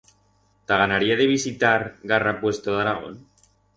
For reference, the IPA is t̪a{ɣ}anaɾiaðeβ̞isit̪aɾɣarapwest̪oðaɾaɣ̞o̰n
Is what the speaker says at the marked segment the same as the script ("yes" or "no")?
yes